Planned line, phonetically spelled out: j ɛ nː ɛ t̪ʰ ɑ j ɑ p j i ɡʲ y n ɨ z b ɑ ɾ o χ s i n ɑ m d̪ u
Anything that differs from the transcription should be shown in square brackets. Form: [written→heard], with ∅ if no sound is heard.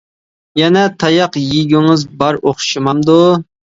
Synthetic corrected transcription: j ɛ [nː→n] ɛ t̪ʰ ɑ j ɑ [p→q] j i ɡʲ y [n→ŋ] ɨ z b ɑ ɾ o χ [s→ʃ] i [n→m] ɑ m d̪ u